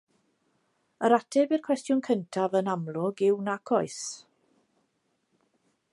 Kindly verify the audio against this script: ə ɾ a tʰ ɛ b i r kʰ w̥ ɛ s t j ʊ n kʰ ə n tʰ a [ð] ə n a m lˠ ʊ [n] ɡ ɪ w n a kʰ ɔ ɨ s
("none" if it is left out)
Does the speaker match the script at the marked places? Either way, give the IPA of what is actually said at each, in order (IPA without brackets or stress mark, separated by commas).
v, none